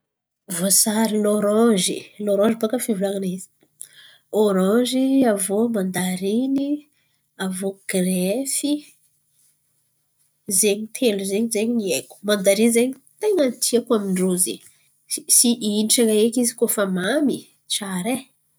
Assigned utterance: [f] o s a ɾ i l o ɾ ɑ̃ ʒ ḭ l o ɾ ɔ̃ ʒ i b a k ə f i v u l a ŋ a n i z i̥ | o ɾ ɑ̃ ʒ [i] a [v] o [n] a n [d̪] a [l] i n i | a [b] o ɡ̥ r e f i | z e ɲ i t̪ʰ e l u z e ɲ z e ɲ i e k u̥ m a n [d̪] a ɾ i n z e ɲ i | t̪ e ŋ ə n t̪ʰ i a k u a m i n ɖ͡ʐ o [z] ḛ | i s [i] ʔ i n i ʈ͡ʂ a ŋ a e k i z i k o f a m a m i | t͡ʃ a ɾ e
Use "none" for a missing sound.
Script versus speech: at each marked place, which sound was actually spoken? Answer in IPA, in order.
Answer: v, i, v, m, d̪, ɾ, v, d̪, z, i

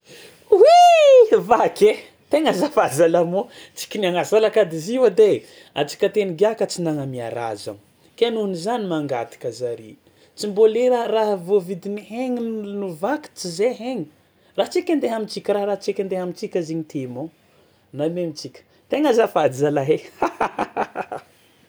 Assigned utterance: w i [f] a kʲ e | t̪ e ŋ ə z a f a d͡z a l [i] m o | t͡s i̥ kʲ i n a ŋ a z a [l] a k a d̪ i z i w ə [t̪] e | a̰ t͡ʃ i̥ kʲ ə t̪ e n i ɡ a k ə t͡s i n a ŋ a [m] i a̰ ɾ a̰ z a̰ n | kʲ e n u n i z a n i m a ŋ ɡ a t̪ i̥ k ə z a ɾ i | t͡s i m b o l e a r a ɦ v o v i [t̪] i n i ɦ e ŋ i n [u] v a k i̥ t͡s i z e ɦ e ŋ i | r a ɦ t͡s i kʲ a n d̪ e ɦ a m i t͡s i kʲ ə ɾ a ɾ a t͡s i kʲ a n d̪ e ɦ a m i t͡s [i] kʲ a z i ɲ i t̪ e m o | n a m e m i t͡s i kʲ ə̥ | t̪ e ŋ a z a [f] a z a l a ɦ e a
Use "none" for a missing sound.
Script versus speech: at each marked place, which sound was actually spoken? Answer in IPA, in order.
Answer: v, a, l, d̪, m, d̪, u, i, f

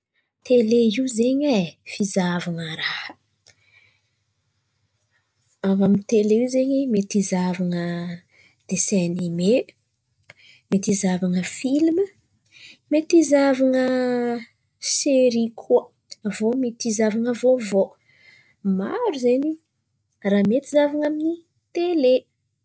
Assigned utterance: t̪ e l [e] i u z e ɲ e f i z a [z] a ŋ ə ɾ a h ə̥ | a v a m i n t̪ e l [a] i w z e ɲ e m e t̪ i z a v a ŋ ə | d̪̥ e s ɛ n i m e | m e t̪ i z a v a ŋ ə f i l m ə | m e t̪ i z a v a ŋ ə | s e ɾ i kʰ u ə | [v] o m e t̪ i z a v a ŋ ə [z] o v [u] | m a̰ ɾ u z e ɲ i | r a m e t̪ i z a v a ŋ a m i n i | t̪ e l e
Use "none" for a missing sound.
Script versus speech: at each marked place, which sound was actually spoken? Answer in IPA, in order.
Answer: e, v, e, v, v, o

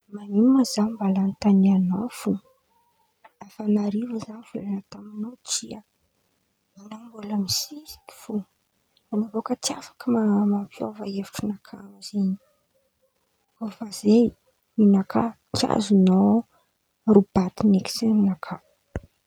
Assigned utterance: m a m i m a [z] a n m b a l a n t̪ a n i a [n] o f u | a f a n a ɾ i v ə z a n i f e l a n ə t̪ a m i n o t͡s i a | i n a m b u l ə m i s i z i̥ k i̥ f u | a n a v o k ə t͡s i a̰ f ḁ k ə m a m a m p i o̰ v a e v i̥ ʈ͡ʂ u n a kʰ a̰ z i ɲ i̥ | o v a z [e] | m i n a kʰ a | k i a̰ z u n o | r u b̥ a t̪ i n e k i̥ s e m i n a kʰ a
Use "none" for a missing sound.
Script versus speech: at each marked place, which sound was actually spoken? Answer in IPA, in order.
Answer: z, n, e

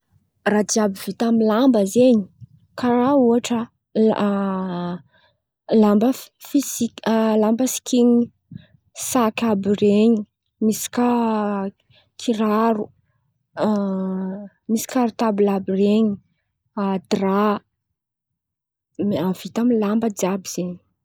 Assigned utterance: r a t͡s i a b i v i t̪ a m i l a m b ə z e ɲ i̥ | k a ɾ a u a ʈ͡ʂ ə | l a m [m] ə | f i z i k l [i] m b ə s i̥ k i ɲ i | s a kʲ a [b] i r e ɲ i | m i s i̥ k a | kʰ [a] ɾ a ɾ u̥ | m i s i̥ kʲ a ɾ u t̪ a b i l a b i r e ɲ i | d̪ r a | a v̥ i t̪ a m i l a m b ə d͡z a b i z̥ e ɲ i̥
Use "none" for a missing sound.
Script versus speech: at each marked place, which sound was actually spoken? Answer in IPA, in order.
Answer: b, a, b, i

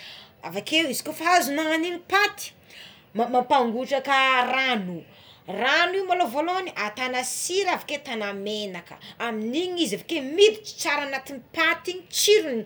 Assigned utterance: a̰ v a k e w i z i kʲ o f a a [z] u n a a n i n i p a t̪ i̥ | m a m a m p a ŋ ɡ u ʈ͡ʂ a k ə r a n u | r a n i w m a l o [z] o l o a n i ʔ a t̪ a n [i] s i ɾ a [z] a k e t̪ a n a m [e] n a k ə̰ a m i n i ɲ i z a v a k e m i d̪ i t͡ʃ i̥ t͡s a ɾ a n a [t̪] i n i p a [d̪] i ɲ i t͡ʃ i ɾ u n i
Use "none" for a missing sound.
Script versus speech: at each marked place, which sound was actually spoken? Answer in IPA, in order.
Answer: z, v, a, v, e, t̪, t̪

